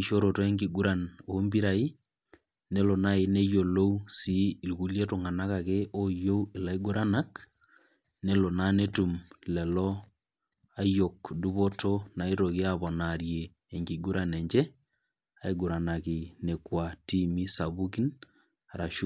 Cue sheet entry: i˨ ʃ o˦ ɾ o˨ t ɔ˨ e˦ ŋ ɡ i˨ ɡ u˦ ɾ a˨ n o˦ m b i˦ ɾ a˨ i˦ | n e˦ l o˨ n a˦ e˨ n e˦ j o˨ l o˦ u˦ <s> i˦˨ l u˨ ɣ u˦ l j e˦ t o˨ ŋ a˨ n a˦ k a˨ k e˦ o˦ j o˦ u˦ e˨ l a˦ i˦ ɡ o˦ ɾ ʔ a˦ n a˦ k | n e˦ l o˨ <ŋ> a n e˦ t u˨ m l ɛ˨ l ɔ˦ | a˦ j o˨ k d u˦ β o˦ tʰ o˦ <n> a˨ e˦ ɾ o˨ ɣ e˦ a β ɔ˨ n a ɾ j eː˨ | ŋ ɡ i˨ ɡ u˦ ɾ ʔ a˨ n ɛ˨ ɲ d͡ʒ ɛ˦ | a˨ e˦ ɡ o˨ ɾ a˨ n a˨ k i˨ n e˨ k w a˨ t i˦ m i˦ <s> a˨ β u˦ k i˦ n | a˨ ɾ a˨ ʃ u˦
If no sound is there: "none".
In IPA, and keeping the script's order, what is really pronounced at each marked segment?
s, n, n, s

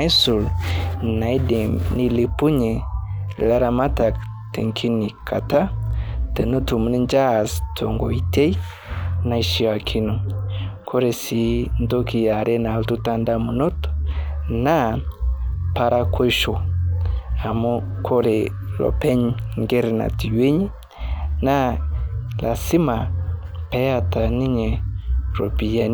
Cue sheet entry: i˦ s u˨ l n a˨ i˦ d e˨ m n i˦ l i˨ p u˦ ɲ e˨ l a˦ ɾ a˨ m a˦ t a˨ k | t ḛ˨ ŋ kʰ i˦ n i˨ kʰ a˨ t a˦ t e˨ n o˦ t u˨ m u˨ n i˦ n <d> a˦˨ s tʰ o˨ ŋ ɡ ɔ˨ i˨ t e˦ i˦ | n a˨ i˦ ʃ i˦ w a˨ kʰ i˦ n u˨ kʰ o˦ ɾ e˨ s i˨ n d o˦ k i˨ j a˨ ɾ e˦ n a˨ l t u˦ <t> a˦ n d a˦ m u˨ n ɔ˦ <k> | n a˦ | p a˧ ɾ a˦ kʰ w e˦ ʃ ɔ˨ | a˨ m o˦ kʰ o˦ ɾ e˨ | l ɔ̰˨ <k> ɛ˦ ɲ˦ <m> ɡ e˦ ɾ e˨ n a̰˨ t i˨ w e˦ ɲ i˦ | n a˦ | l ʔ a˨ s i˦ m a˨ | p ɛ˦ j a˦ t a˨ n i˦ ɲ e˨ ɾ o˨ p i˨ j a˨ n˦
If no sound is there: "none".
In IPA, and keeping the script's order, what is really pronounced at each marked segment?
d͡ʒ, t, t, p, ŋ

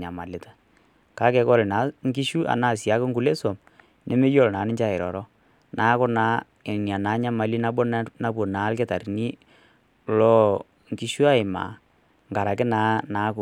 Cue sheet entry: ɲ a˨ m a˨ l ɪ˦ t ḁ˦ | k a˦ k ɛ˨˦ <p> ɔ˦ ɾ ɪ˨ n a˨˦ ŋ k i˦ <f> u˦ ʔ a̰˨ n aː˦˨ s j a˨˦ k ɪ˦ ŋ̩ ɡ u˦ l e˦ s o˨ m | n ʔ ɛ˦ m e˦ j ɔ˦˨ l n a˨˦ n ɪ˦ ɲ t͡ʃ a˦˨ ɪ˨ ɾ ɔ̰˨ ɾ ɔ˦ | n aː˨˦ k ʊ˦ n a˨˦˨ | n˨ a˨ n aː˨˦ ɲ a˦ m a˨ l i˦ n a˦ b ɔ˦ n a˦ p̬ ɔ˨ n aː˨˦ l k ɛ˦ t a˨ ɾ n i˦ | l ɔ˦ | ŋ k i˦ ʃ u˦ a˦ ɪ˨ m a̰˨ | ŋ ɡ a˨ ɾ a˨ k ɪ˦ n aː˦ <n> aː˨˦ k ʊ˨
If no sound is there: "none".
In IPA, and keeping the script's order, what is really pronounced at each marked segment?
k, ʃ, n

